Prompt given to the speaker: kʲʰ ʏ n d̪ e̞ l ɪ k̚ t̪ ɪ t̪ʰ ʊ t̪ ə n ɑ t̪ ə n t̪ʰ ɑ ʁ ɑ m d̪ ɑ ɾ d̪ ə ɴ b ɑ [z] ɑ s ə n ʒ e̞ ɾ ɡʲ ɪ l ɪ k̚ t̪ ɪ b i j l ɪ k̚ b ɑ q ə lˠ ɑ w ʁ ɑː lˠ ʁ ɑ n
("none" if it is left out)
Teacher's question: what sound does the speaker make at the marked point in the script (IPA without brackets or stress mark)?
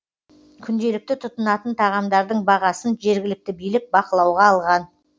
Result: ʁ